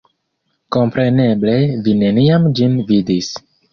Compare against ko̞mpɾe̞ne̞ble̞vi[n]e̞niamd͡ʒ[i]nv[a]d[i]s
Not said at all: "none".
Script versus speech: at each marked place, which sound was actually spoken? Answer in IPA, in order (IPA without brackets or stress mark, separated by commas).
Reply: n, i, i, i